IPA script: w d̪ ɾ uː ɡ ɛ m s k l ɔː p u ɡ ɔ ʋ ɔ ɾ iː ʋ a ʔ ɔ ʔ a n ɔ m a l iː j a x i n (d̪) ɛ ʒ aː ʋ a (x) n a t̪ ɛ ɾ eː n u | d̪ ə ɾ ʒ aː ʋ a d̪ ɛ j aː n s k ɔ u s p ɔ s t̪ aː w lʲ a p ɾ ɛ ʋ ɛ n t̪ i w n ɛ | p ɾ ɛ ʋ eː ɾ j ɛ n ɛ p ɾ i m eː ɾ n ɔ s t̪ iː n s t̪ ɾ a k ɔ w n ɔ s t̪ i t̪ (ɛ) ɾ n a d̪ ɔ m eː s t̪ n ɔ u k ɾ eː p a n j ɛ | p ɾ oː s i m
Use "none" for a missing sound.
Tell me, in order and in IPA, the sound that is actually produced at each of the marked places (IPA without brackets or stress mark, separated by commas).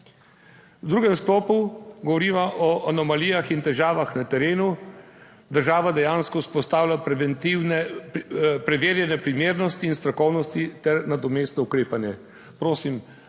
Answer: t̪, x, ɛ